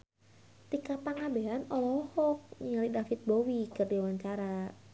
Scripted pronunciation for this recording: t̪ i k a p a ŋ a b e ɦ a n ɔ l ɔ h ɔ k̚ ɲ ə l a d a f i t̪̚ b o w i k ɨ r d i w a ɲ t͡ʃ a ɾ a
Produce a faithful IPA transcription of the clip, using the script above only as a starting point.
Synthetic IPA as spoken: t̪ i k a p a ŋ a b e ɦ a n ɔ l ɔ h ɔ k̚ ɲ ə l i d a f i t̪̚ b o w i k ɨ r d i w a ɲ t͡ʃ a ɾ a